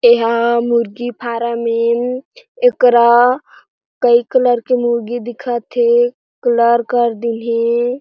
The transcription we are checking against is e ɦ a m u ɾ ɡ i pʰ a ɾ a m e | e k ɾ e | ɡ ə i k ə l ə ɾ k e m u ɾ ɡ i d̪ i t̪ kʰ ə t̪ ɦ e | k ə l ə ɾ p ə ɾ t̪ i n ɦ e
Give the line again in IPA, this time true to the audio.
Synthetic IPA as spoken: e ɦ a m u ɾ ɡ i pʰ a ɾ a m e | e k ɾ a | k ə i k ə l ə ɾ k e m u ɾ ɡ i d̪ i kʰ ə t̪ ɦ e | k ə l ə ɾ k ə ɾ d̪ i n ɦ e